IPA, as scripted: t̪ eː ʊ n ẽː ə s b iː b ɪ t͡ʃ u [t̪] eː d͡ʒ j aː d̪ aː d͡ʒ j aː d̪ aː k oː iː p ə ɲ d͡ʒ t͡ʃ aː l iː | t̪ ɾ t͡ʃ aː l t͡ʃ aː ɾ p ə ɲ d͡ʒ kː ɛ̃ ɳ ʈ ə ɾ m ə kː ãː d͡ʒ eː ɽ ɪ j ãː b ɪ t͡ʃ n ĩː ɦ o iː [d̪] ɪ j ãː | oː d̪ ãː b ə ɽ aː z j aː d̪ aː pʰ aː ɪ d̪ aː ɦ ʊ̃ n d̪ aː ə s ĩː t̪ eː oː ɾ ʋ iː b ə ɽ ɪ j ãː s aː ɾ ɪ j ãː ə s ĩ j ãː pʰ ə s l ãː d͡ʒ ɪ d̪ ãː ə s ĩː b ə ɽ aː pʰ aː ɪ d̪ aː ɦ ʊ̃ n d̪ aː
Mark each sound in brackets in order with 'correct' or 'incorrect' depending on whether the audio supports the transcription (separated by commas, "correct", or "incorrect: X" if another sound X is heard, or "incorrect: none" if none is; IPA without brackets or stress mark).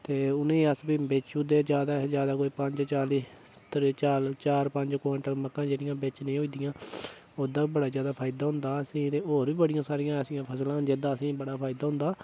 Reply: incorrect: d̪, correct